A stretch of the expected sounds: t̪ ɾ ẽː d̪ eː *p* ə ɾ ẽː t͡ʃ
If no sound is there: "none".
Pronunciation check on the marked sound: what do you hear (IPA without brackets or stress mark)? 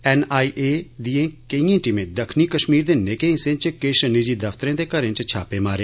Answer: k